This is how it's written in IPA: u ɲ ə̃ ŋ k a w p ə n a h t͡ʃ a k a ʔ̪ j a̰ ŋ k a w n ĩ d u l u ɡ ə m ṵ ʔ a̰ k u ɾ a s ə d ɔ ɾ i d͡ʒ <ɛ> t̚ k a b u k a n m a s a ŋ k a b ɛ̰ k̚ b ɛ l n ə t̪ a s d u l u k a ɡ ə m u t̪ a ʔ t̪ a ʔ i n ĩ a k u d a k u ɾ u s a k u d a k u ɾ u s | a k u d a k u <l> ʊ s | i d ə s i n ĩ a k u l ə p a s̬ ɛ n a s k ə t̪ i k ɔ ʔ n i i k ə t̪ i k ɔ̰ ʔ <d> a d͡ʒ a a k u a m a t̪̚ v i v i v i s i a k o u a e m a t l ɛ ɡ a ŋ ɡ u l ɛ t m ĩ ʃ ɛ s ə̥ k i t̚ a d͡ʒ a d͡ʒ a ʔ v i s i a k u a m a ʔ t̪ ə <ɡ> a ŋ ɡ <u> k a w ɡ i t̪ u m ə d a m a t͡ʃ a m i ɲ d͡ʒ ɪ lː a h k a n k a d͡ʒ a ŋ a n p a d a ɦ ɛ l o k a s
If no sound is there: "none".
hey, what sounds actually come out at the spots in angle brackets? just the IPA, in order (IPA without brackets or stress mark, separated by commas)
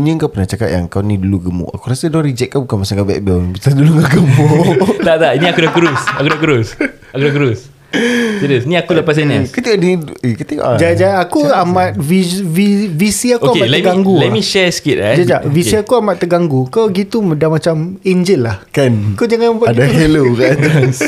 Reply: ɛ, ɾ, d͡ʒ, ɡ, u